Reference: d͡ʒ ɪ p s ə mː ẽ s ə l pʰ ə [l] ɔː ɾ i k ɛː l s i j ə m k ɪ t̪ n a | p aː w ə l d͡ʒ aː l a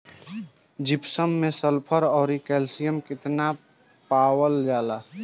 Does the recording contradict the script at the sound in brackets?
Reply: yes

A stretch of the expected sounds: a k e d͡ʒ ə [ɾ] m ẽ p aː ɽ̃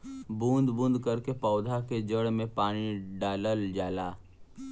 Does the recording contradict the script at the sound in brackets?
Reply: yes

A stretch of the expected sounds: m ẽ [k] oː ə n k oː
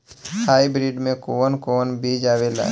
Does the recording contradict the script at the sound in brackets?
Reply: no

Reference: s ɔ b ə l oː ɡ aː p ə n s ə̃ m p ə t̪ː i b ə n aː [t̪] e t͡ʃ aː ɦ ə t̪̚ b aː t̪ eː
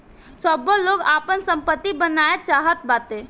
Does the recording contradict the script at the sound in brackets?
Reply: yes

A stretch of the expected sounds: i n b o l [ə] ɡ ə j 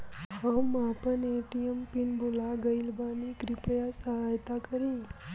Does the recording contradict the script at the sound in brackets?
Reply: yes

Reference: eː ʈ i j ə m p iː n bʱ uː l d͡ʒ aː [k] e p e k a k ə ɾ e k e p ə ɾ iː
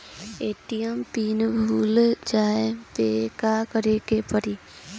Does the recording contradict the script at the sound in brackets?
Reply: yes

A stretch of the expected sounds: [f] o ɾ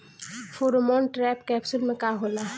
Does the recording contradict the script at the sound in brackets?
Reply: no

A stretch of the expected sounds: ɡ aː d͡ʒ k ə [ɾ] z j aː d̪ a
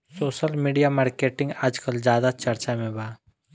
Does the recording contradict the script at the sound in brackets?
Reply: yes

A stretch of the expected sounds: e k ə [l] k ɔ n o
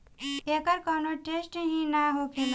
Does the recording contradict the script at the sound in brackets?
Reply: yes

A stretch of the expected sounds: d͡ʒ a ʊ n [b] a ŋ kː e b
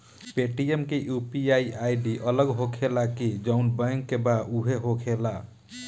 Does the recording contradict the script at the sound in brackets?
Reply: no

